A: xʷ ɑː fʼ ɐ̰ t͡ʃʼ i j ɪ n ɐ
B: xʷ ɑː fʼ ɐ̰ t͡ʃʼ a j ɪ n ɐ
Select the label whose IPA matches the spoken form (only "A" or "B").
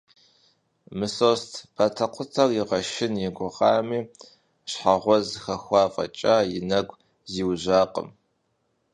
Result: B